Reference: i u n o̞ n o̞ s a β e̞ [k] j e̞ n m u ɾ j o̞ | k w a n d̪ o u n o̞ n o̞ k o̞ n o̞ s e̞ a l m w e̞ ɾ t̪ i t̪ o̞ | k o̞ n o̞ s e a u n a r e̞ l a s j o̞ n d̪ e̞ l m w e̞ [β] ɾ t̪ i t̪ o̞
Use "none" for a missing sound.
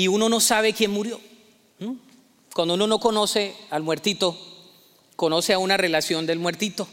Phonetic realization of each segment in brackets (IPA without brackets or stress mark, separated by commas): k, none